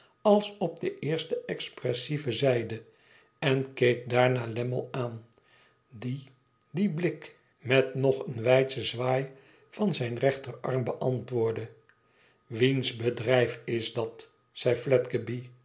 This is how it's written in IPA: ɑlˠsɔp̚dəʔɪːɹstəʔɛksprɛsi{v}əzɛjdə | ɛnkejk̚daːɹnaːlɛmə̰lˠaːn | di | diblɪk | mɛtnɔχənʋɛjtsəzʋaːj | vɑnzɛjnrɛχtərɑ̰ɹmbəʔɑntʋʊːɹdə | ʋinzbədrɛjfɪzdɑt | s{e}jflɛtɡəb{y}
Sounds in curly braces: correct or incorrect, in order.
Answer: correct, incorrect: ɛ, incorrect: i

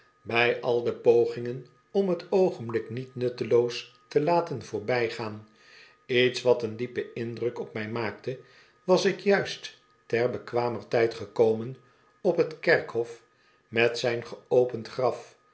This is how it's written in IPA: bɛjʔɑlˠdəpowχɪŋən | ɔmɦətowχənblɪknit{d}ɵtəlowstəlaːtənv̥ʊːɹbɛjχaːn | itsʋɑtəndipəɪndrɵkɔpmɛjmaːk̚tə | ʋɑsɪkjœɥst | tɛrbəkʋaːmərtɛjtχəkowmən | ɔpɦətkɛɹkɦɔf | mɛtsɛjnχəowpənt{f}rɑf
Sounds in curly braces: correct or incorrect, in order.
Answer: incorrect: n, incorrect: χ

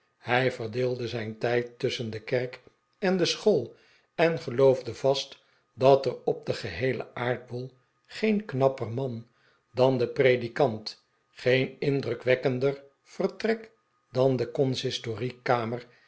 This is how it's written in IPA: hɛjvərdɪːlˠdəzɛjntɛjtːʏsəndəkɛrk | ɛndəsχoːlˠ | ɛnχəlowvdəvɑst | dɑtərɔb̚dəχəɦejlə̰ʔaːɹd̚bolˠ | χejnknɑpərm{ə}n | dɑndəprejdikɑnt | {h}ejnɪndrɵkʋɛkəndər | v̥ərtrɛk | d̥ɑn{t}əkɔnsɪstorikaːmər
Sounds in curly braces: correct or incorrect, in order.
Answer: incorrect: ɑ, incorrect: χ, incorrect: d

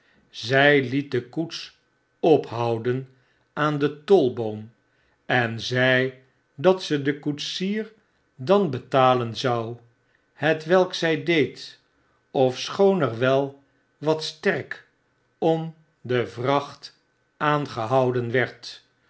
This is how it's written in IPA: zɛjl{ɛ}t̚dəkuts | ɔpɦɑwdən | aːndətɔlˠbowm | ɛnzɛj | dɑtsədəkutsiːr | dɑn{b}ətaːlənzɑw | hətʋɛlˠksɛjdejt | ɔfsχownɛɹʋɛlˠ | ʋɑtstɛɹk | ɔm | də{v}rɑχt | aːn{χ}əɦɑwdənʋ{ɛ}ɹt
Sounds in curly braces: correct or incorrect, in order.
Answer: incorrect: i, correct, correct, correct, correct

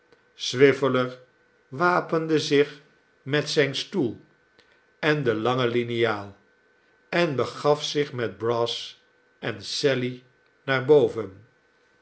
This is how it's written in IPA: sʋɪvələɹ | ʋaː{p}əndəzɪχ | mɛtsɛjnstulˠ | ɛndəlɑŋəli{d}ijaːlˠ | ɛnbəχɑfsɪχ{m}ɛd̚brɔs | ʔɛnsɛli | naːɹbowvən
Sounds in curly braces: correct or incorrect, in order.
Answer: correct, incorrect: n, correct

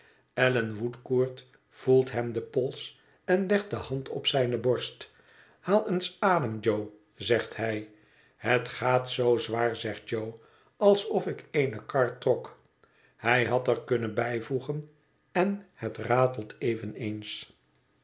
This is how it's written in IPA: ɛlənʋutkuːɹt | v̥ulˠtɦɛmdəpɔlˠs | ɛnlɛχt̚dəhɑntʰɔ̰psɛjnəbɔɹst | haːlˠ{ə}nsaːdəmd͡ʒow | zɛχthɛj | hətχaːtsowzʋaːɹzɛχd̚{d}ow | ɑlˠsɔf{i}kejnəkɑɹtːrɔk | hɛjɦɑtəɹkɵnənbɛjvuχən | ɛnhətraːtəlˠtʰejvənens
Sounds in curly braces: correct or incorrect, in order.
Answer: correct, incorrect: d͡ʒ, incorrect: ɪ

